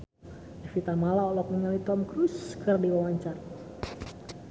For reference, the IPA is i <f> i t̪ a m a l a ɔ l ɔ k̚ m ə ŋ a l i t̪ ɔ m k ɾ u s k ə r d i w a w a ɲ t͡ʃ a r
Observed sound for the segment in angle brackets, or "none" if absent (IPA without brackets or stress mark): f